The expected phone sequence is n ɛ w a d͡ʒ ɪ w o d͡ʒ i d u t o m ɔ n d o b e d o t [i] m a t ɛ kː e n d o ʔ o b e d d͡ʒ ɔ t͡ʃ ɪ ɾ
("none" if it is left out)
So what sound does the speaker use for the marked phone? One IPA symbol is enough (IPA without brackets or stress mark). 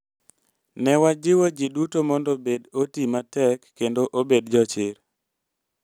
i